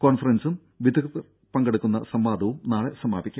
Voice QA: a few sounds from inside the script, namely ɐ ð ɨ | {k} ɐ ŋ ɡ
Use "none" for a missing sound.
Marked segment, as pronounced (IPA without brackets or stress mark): p